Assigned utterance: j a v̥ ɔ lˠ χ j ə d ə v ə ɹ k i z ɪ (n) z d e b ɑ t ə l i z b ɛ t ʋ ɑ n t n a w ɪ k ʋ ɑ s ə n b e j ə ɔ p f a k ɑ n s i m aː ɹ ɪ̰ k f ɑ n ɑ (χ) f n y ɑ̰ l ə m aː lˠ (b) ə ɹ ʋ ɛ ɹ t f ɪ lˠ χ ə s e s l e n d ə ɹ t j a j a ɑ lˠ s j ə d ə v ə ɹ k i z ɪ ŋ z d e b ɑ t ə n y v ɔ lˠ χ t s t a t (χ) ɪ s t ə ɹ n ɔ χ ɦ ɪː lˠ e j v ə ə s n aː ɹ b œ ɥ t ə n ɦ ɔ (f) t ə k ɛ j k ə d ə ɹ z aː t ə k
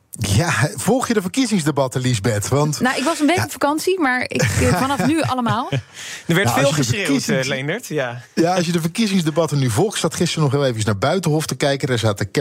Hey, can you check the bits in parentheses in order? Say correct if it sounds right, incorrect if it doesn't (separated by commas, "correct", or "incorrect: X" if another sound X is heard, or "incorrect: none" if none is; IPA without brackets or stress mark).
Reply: incorrect: ŋ, incorrect: f, incorrect: d, correct, correct